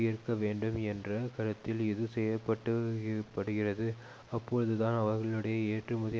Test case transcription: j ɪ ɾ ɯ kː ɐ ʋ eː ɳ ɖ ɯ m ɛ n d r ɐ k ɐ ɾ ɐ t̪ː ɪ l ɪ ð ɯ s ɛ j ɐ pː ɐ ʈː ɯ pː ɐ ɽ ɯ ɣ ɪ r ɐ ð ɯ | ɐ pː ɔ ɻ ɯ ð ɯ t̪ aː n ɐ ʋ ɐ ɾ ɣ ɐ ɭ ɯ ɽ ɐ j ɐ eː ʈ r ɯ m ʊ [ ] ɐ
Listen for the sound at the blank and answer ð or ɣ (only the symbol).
ð